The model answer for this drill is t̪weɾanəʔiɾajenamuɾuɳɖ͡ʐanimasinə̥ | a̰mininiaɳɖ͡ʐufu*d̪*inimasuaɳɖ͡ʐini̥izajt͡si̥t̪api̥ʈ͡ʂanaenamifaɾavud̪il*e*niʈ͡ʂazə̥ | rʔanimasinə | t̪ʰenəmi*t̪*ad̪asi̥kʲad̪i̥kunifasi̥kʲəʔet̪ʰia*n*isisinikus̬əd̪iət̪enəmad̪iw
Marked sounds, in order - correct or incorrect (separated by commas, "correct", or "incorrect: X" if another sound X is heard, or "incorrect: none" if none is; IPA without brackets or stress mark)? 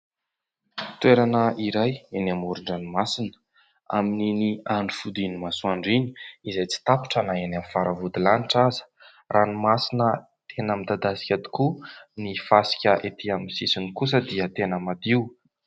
correct, incorrect: a, incorrect: d̪, incorrect: m